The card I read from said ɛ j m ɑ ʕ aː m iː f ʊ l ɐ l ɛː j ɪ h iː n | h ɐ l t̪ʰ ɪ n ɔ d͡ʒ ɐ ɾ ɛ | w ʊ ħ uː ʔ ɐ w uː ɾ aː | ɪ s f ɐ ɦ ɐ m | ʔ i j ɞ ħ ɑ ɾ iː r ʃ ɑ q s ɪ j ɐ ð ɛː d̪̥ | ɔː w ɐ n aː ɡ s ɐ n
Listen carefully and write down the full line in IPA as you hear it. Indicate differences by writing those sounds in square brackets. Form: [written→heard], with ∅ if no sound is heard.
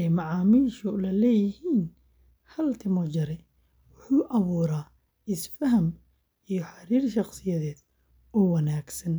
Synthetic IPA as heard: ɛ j m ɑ ʕ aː m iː [f→ʃ] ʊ l ɐ l ɛː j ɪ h iː n | h ɐ l t̪ʰ ɪ [n→m] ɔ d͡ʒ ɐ ɾ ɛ | w ʊ ħ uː ʔ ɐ [w→β] uː ɾ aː | ɪ s f ɐ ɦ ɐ m | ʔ i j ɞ ħ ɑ ɾ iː r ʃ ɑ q s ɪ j ɐ ð ɛː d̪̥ | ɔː w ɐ n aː ɡ s ɐ n

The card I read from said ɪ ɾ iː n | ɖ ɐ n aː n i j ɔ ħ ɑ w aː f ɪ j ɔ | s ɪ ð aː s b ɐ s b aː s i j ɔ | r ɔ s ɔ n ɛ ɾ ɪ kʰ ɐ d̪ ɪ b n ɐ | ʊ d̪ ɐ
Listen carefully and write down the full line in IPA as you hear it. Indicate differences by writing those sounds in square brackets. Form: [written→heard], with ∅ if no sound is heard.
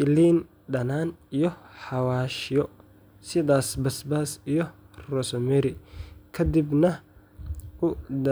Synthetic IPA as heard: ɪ [ɾ→l] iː n | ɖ ɐ n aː n i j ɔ ħ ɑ w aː [f→ʃ] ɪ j ɔ | s ɪ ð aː s b ɐ s b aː s i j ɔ | r ɔ s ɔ [n→m] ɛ ɾ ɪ kʰ ɐ d̪ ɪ b n ɐ | ʊ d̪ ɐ

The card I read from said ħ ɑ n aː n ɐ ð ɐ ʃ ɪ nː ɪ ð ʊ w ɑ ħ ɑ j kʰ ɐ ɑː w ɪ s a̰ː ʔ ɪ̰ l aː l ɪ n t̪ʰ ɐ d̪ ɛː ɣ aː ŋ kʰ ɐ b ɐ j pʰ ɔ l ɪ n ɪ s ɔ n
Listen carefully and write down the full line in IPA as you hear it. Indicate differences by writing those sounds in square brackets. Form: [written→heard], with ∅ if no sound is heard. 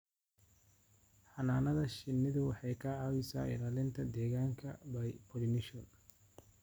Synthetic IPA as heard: ħ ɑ n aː n ɐ ð ɐ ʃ ɪ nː ɪ ð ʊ w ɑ ħ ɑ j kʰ ɐ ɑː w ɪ s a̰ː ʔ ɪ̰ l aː l ɪ n t̪ʰ ɐ d̪ ɛː ɣ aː ŋ kʰ ɐ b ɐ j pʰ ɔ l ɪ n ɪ [s→ʃ] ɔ n

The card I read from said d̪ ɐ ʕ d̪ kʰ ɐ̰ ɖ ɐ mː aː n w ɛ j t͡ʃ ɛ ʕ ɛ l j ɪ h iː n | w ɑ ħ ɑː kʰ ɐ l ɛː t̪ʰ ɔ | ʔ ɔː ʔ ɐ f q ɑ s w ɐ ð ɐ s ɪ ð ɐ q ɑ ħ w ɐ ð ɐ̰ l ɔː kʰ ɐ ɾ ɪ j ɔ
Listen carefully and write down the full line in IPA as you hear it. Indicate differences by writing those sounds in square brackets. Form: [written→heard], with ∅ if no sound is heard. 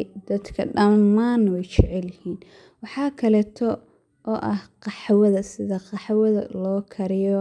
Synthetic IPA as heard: d̪ ɐ [ʕ→∅] d̪ kʰ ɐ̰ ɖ ɐ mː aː n w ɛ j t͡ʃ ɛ ʕ ɛ l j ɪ h iː n | w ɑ ħ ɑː kʰ ɐ l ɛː t̪ʰ ɔ | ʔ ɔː ʔ ɐ [f→h] q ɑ [s→ħ] w ɐ ð ɐ s ɪ ð ɐ q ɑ ħ w ɐ ð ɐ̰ l ɔː kʰ ɐ ɾ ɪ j ɔ

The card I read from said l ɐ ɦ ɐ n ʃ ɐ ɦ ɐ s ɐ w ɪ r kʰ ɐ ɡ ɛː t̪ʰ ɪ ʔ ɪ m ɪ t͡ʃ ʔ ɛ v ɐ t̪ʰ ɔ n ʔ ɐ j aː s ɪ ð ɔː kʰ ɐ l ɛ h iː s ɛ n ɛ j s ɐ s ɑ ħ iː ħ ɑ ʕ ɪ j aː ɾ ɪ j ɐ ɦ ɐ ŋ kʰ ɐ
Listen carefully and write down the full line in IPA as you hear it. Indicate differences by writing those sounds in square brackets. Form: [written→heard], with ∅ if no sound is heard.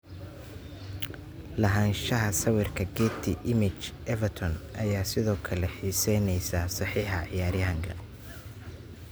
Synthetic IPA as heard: l ɐ ɦ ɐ n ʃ ɐ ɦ ɐ s ɐ w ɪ r kʰ ɐ ɡ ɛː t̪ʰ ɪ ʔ ɪ m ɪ t͡ʃ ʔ ɛ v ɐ t̪ʰ ɔ n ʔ ɐ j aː s ɪ ð ɔː kʰ ɐ l ɛ [h→ħ] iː s ɛ n ɛ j s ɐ s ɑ ħ iː ħ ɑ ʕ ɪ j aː ɾ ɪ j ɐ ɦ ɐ ŋ kʰ ɐ

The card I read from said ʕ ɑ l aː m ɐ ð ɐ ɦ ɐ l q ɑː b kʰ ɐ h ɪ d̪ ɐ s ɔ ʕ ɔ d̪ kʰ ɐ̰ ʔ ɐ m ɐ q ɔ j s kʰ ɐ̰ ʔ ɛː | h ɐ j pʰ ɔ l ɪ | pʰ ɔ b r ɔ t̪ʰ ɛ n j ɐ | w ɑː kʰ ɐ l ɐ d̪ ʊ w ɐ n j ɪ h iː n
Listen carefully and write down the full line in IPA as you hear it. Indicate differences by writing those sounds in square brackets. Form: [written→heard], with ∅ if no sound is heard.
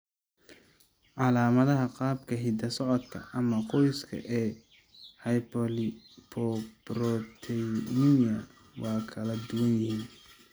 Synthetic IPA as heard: ʕ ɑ l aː m ɐ ð ɐ ɦ ɐ [l→∅] q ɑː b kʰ ɐ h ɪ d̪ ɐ s ɔ ʕ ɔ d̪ kʰ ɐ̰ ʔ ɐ m ɐ q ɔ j s kʰ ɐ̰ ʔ ɛː | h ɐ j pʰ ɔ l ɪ | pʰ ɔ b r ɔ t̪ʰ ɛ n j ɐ | w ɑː kʰ ɐ l ɐ d̪ ʊ w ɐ n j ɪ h iː n

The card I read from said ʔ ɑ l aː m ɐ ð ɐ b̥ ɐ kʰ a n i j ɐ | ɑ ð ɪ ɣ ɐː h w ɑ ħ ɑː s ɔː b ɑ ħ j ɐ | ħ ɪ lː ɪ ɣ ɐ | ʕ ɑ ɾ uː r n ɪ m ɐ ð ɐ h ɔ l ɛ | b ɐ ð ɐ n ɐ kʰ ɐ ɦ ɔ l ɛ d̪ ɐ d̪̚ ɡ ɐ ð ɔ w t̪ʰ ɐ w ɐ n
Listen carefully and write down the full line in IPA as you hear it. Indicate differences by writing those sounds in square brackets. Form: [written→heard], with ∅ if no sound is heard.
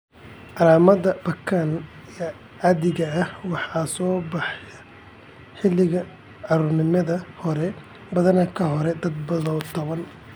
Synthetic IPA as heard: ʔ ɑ l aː m ɐ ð ɐ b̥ ɐ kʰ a n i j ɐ | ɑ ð ɪ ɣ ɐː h w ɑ ħ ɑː s ɔː b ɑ ħ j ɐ | ħ ɪ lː ɪ ɣ ɐ | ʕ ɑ ɾ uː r n ɪ m ɐ ð ɐ h ɔ [l→ɾ] ɛ | b ɐ ð ɐ n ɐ kʰ ɐ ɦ ɔ [l→ɾ] ɛ d̪ ɐ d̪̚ [ɡ→b] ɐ ð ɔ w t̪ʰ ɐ [w→β] ɐ n

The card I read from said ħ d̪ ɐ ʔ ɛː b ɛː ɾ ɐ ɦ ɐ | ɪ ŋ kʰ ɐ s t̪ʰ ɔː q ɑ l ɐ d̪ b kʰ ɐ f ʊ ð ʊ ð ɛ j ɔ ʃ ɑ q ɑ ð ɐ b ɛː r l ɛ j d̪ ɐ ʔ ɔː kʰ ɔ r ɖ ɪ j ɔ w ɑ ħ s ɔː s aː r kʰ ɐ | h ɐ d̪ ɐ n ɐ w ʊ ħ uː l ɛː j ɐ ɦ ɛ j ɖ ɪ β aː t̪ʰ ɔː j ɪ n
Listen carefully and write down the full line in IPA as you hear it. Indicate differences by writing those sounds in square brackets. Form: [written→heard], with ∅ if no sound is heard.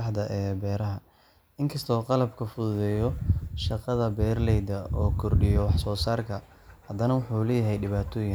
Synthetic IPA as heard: ħ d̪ ɐ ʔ ɛː b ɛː ɾ ɐ ɦ ɐ | ɪ ŋ kʰ ɐ s t̪ʰ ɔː q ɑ l ɐ [d̪→∅] b kʰ ɐ f ʊ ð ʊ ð ɛ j ɔ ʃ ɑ q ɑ ð ɐ b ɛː r l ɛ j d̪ ɐ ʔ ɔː kʰ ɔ r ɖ ɪ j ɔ w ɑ ħ s ɔː s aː r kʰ ɐ | h ɐ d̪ ɐ n ɐ w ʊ ħ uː l ɛː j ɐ ɦ ɛ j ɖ ɪ β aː t̪ʰ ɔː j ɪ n

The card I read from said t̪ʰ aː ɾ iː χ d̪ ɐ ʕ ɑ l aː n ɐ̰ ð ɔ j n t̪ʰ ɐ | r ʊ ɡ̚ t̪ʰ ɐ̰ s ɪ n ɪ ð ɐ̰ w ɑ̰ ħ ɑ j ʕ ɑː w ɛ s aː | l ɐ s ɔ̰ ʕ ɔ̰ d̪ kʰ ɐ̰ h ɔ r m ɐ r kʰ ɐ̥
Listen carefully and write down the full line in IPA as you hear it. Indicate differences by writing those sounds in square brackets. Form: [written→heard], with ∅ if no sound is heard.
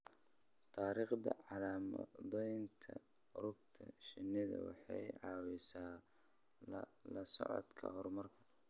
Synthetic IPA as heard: t̪ʰ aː ɾ iː χ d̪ ɐ ʕ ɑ l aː [n→m] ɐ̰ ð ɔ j n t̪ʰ ɐ | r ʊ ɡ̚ t̪ʰ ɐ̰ [s→ʃ] ɪ n ɪ ð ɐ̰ w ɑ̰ ħ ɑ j ʕ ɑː w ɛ s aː | l ɐ s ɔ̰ ʕ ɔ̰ d̪ kʰ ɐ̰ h ɔ r m ɐ r kʰ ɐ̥

